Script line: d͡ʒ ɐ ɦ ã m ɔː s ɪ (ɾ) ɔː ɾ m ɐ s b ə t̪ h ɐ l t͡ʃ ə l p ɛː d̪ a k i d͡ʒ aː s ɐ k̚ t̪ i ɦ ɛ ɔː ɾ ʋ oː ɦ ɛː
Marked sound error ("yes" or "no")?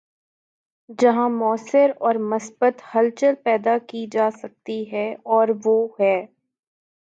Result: no